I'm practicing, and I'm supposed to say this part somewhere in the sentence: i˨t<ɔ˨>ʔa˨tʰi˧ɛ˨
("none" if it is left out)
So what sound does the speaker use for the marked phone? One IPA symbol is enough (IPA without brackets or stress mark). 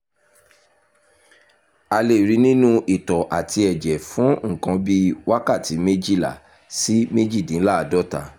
ɔ˨